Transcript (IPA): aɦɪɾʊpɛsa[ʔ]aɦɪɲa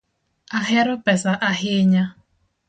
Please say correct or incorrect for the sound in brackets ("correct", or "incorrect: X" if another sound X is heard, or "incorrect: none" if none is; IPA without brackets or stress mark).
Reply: correct